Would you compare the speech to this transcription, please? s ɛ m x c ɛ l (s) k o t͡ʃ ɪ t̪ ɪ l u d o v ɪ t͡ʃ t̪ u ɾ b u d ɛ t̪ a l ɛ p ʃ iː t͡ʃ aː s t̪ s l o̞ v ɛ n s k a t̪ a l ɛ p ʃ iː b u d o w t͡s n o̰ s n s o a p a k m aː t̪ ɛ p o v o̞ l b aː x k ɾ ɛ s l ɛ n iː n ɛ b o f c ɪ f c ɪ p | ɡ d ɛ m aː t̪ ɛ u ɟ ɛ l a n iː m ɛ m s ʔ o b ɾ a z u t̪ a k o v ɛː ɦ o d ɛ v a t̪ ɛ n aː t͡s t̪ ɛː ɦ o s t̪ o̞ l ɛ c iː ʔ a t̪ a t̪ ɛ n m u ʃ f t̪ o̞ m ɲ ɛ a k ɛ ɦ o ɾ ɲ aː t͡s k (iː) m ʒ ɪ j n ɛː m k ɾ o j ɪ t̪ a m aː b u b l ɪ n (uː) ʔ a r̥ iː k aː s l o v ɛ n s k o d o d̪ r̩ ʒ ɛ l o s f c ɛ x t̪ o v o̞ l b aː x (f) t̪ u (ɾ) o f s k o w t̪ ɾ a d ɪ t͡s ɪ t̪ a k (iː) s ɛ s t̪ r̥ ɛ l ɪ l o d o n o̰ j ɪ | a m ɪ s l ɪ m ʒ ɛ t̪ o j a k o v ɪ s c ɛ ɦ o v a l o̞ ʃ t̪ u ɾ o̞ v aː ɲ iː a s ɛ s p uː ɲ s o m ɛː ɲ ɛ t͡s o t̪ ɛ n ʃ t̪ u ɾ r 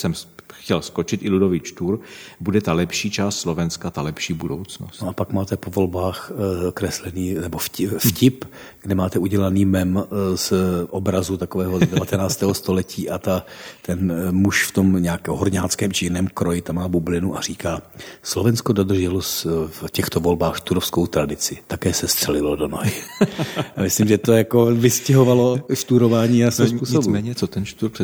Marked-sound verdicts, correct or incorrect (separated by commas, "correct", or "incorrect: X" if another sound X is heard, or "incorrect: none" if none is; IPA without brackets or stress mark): correct, incorrect: ɛː, incorrect: u, incorrect: ʃ, correct, incorrect: ɛː